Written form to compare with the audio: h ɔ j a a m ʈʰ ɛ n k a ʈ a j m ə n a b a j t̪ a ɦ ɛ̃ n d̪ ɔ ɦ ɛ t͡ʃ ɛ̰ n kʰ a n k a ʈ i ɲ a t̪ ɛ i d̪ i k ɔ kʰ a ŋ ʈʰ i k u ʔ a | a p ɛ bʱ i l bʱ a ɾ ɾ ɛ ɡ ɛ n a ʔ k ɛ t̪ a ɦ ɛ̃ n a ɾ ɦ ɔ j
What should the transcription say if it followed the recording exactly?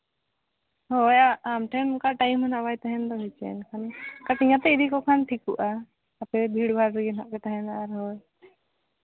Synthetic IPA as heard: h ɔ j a a m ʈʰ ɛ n k a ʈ a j m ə n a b a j t̪ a ɦ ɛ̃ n d̪ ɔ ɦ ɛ t͡ʃ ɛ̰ n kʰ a n k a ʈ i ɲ a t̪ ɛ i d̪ i k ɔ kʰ a n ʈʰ i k u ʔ a | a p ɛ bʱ i ɽ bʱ a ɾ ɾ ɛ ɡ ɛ n a ʔ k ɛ t̪ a ɦ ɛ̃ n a ɾ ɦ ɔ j

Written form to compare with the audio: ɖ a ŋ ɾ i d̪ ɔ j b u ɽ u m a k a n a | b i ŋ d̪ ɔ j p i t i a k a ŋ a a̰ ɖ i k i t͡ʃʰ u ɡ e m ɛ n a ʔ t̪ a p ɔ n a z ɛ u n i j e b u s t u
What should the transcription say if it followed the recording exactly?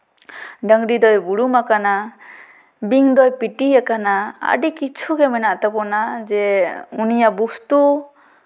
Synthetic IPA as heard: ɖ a ŋ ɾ i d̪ ɔ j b u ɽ u m a k a n a | b i ŋ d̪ ɔ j p i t i a k a n a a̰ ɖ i k i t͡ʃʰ u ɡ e m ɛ n a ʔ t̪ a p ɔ n a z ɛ u n i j a b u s t u

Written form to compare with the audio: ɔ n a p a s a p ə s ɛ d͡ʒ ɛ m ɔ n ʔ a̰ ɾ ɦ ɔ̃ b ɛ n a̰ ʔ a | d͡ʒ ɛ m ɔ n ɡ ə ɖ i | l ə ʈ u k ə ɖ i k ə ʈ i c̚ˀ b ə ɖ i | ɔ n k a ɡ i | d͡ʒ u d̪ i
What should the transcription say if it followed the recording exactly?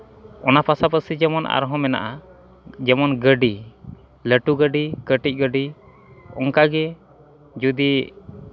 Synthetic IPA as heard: ɔ n a p a s a p ə s i d͡ʒ ɛ m ɔ n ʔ a̰ ɾ ɦ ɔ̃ m ɛ n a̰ ʔ a | d͡ʒ ɛ m ɔ n ɡ ə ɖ i | l ə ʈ u ɡ ə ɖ i k ə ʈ i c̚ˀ ɡ ə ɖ i | ɔ ŋ k a ɡ ɛ | d͡ʒ u d̪ i

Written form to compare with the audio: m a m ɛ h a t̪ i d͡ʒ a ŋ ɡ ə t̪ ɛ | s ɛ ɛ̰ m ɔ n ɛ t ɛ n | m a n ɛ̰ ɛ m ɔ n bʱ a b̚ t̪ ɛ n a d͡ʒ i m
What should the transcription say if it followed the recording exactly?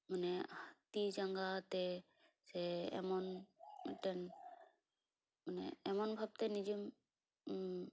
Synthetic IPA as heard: m a n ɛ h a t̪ i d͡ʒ a ŋ ɡ a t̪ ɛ | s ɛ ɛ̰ m ɔ n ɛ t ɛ n | m a n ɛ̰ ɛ m ɔ n bʱ a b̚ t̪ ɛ n i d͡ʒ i m

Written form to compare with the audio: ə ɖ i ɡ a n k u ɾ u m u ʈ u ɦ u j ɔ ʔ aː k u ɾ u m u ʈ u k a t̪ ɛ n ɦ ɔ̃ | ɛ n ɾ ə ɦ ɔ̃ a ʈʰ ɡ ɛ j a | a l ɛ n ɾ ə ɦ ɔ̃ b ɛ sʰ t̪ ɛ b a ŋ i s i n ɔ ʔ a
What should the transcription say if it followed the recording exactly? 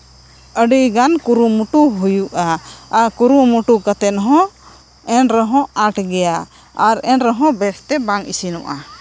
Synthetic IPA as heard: ə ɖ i ɡ a n k u ɾ u m u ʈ u ɦ u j u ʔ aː k u ɾ u m u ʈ u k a t̪ ɛ n ɦ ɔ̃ | ɛ n ɾ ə ɦ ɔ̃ a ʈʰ ɡ ɛ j a | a ɾ ɛ n ɾ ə ɦ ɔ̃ b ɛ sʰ t̪ ɛ b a ŋ i s i n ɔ ʔ a

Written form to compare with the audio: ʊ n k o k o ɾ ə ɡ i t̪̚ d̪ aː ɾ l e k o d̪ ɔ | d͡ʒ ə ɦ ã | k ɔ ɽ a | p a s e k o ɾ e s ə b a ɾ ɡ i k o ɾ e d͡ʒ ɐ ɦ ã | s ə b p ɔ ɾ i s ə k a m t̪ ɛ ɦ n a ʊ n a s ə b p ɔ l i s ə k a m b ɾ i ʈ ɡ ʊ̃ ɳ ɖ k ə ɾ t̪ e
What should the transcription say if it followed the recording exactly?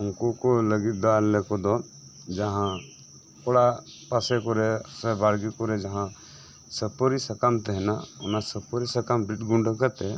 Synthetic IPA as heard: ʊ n k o k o l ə ɡ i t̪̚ d̪ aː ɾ l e k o d̪ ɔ | d͡ʒ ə ɦ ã | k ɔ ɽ a | p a s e k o ɾ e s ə b a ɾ ɡ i k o ɾ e d͡ʒ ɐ ɦ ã | s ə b p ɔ ɾ i s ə k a m t̪ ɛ ɦ n a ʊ n a s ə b p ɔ ɾ i s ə k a m b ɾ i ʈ ɡ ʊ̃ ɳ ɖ k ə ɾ t̪ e

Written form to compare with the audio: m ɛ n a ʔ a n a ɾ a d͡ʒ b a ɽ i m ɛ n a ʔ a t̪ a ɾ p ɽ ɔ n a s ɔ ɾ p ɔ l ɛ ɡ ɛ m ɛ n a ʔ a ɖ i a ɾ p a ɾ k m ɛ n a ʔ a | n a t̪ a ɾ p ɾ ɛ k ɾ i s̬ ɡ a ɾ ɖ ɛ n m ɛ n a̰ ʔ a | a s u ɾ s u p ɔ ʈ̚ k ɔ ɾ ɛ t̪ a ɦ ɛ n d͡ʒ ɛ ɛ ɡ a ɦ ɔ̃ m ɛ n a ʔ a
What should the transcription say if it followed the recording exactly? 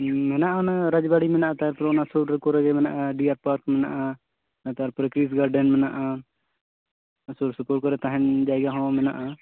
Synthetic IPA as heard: m ɛ n a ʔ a n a ɾ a d͡ʒ b a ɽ i m ɛ n a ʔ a t̪ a ɾ p ɾ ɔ n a s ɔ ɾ k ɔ ɾ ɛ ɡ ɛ m ɛ n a ʔ a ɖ i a ɾ p a ɾ k m ɛ n a ʔ a | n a t̪ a ɾ p ɾ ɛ k ɾ i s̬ ɡ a ɾ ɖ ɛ n m ɛ n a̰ ʔ a | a s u ɾ s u p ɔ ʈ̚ k ɔ ɾ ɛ t̪ a ɦ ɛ n d͡ʒ a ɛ ɡ a ɦ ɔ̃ m ɛ n a ʔ a

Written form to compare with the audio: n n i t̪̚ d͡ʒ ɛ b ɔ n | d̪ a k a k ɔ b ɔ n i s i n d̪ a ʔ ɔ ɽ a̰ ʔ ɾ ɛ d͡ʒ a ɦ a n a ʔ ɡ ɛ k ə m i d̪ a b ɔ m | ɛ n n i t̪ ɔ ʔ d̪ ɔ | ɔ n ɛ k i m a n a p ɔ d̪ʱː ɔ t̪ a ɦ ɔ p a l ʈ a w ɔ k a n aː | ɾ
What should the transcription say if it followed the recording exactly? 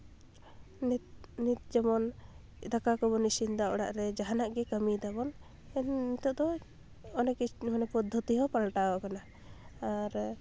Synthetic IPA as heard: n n i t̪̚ d͡ʒ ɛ m ɔ n | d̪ a k a k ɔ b ɔ n i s i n d̪ a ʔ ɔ ɽ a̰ ʔ ɾ ɛ d͡ʒ a ɦ a n a ʔ ɡ ɛ k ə m i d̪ a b ɔ n | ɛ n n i t̪ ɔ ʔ d̪ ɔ | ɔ n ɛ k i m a n ɛ p ɔ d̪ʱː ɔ t̪ i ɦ ɔ p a l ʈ a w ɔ k a n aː | ɾ

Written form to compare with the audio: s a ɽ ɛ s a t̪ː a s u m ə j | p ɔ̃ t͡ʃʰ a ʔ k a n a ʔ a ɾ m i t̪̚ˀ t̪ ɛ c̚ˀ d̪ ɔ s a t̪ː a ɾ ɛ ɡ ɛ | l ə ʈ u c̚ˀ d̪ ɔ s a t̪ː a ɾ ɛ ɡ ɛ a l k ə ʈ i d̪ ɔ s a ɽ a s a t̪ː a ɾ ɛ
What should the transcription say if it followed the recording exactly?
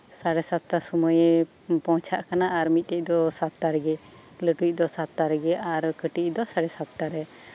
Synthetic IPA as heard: s a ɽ ɛ s a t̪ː a s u m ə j | p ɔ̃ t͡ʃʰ a ʔ k a n a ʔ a ɾ m i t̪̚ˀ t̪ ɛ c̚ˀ d̪ ɔ s a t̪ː a ɾ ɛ ɡ ɛ | l ə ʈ u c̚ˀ d̪ ɔ s a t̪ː a ɾ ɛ ɡ ɛ a ɾ k ə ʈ i d̪ ɔ s a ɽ ɛ s a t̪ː a ɾ ɛ

